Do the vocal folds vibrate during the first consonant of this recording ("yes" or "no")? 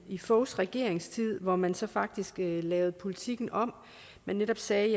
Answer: no